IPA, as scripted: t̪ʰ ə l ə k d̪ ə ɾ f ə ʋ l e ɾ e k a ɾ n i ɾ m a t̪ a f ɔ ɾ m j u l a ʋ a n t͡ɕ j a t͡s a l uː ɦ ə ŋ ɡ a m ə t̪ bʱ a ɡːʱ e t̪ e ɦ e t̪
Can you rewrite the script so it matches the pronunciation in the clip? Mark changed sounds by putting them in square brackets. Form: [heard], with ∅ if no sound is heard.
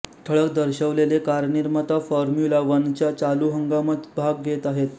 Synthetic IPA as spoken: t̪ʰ ə [ɭ] ə k d̪ ə ɾ [ɕ] ə ʋ l e [l] e k a ɾ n i ɾ m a t̪ a f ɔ ɾ m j u l a ʋ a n t͡ɕ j a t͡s a l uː ɦ ə ŋ ɡ a m ə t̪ bʱ a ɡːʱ e t̪ [a] ɦ e t̪